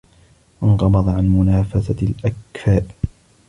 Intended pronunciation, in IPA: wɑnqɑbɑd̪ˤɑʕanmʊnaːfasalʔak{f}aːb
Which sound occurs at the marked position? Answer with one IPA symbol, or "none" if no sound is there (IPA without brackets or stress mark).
f